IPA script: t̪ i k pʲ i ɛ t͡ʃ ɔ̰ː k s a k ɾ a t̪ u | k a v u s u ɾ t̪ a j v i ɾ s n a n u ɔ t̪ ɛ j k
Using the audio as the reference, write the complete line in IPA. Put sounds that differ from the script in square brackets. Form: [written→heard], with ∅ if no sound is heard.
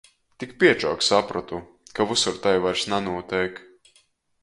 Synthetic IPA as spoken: t̪ i k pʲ i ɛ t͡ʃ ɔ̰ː k s a [k→p] ɾ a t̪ u | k a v u s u ɾ t̪ a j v [i→a] ɾ s n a n u ɔ t̪ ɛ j k